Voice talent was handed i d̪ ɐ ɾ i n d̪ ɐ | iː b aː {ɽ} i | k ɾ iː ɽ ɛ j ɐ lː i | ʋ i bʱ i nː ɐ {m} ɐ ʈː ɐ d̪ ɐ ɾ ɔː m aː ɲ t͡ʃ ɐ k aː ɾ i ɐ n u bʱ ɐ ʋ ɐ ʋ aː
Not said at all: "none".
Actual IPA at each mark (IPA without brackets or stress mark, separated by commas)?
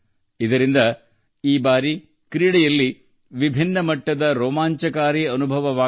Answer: ɾ, m